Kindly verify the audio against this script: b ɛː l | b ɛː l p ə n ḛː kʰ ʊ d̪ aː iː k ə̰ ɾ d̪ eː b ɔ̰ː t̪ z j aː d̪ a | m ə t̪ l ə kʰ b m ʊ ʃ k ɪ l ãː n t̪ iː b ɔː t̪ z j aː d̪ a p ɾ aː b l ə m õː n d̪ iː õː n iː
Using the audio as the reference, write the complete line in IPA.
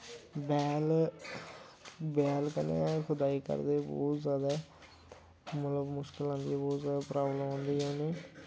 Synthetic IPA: b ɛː l | b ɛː l k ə n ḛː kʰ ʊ d̪ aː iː k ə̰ ɾ d̪ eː b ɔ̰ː t̪ z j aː d̪ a | m ə t̪ l ə b m ʊ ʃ k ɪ l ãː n d̪ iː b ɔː t̪ z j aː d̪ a p ɾ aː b l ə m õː n d̪ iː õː n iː